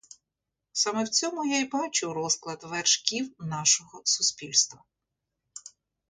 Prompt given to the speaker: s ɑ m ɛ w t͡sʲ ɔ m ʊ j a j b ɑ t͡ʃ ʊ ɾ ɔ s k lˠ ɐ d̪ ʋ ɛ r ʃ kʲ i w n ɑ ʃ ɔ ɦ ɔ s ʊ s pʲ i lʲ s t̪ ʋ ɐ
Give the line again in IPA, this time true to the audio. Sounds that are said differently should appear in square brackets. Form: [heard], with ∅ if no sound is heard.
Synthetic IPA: s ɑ m ɛ w t͡sʲ ɔ m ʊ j a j b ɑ t͡ʃ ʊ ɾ ɔ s k lˠ ɐ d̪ ʋ ɛ r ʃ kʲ i w n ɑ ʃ ɔ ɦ ɔ s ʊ s pʲ i lʲ s t̪ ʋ ɐ